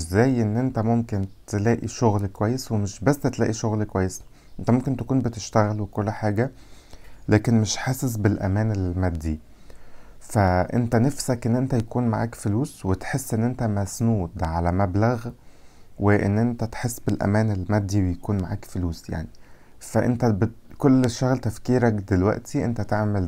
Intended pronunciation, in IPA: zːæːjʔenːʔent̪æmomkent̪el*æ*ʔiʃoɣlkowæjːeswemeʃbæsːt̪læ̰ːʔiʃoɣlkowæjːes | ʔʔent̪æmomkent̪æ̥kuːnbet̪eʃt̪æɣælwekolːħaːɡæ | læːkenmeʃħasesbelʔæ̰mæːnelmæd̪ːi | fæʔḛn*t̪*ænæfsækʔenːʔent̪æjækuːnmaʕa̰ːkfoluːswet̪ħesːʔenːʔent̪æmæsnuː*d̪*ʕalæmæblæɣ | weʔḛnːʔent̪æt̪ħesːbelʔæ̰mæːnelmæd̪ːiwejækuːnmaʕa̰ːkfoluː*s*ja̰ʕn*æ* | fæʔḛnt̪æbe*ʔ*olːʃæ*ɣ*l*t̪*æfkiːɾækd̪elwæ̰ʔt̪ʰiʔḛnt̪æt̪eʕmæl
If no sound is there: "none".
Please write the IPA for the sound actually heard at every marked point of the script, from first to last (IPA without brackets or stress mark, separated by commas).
æː, t̪, d̪, s, i, k, ɣ, t̪